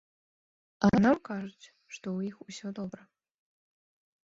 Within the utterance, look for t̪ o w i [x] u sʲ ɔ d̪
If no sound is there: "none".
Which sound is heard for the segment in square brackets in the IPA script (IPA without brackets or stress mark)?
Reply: x